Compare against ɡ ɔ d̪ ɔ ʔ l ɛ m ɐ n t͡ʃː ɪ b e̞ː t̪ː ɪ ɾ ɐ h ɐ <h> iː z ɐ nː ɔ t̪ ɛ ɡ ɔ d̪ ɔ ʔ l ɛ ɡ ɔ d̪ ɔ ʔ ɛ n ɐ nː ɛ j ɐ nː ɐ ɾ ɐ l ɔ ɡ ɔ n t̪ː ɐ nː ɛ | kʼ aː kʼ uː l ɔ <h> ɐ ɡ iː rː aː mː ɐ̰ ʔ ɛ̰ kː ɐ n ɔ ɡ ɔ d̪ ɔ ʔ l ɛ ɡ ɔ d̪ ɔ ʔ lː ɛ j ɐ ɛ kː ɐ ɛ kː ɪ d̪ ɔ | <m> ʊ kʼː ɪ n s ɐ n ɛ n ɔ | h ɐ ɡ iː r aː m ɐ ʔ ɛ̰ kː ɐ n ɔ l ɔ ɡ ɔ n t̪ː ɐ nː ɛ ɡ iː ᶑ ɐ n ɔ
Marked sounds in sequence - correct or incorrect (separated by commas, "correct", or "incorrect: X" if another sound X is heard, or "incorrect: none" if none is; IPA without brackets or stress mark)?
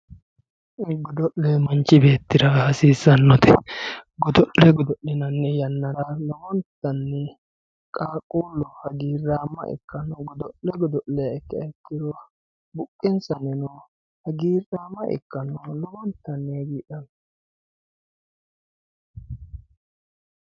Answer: incorrect: s, correct, incorrect: b